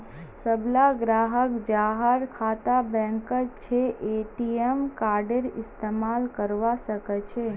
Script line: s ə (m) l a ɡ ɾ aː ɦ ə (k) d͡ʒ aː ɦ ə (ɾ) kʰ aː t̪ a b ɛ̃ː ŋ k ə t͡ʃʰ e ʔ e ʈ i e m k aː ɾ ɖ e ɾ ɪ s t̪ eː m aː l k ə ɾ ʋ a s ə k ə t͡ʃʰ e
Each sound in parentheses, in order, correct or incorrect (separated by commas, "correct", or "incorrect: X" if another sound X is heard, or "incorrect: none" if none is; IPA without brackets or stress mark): incorrect: b, correct, correct